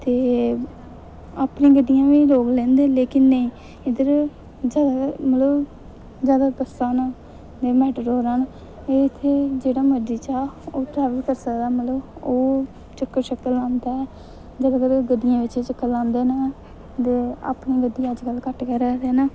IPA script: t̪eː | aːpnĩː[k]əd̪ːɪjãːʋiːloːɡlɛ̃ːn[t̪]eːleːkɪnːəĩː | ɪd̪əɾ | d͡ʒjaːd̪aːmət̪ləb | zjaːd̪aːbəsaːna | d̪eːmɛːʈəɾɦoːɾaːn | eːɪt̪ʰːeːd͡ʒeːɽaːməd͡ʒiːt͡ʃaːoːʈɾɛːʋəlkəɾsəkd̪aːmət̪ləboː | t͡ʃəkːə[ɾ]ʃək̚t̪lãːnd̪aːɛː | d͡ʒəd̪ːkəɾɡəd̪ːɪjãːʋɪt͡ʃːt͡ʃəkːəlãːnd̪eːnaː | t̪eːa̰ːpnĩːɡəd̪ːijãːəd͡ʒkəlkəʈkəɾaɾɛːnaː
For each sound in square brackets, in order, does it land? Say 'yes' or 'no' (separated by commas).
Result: no, no, yes